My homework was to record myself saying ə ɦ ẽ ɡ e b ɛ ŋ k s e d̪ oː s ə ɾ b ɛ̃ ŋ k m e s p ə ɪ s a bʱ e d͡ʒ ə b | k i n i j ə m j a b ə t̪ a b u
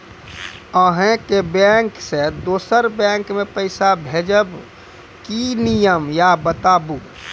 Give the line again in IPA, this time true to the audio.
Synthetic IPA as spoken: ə ɦ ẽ k e b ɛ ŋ k s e d̪ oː s ə ɾ b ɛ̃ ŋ k m e p ə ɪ s a bʱ e d͡ʒ ə b | k i n i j ə m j a b ə t̪ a b u